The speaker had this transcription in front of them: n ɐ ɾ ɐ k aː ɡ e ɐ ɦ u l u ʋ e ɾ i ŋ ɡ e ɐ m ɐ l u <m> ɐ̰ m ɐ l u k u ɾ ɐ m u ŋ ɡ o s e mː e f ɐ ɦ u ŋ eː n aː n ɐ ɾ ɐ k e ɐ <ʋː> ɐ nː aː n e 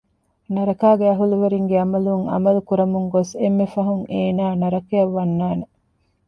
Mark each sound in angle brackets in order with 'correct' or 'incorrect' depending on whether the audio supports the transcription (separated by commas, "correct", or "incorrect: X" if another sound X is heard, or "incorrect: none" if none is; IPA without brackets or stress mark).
incorrect: ŋ, correct